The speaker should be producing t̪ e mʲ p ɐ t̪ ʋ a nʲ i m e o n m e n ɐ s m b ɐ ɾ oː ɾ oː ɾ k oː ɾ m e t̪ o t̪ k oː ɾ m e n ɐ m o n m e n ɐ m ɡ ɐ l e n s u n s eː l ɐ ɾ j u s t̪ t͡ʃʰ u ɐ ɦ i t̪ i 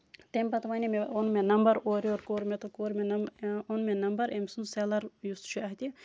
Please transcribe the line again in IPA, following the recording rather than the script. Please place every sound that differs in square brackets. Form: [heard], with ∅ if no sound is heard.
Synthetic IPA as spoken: t̪ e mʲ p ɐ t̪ ʋ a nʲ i m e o n m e n ɐ [∅] m b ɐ ɾ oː ɾ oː ɾ k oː ɾ m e t̪ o [∅] k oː ɾ m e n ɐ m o n m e n ɐ m [b] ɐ [ɾ] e [m] s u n s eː l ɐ ɾ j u s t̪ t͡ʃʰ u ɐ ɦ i t̪ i

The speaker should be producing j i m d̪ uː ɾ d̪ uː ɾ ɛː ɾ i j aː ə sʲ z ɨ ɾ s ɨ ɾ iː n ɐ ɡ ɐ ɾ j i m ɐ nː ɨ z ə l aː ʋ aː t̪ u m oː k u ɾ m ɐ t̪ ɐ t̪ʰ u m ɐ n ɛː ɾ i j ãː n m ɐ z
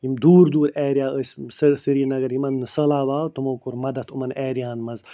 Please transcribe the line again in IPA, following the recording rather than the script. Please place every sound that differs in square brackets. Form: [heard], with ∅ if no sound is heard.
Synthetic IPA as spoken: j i m d̪ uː ɾ d̪ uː ɾ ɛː ɾ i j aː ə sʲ [s] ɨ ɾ s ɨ ɾ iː n ɐ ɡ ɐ ɾ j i m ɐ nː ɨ [s] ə l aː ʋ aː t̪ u m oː k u ɾ m ɐ [d̪] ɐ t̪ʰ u m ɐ n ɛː ɾ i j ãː n m ɐ z

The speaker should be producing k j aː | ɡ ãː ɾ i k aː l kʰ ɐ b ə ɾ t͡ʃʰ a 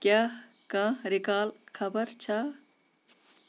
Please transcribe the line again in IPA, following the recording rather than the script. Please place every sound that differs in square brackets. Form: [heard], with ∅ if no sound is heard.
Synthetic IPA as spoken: k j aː | [k] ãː ɾ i k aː l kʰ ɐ b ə ɾ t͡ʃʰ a

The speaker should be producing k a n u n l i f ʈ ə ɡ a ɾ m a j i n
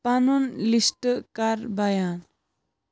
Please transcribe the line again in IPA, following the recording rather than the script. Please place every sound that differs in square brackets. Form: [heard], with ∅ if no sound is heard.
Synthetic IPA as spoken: [p] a n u n l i [s] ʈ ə [k] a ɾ [b] a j [a] n

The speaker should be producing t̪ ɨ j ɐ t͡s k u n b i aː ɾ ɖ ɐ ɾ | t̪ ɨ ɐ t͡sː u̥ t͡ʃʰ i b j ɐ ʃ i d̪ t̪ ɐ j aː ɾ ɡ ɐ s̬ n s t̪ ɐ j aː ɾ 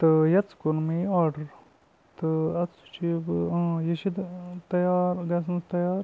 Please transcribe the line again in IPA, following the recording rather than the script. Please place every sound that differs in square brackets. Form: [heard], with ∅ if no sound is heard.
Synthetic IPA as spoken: t̪ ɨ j ɐ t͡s k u n [m] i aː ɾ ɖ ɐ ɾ | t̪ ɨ ɐ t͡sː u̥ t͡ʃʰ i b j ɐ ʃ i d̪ t̪ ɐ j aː ɾ ɡ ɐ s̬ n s t̪ ɐ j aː ɾ

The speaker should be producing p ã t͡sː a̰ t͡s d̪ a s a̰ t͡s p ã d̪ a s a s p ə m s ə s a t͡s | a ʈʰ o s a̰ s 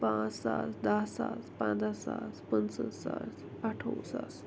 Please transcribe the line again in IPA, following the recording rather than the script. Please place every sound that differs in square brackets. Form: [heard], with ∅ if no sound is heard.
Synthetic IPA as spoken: p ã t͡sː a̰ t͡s d̪ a s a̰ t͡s p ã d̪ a s a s p ə [n] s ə s a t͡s | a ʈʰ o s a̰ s

